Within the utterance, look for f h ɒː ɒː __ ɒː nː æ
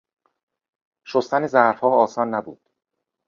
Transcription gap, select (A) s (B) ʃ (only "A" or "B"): A